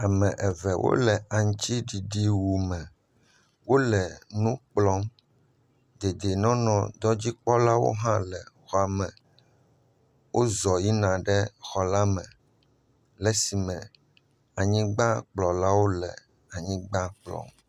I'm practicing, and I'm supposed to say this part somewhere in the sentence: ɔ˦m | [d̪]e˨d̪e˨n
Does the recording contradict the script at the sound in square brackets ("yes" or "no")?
no